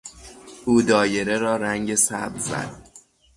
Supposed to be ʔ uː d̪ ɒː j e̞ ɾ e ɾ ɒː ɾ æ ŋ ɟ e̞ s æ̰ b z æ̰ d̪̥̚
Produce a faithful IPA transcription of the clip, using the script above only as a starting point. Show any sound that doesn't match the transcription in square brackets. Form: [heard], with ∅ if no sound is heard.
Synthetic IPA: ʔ uː d̪ ɒː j e̞ ɾ e ɾ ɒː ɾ æ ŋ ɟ e̞ s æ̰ b z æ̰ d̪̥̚